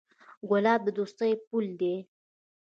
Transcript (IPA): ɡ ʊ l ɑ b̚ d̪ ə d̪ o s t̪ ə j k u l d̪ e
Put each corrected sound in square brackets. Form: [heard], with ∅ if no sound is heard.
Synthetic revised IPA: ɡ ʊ l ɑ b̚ d̪ ə d̪ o s t̪ ə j [p] u l d̪ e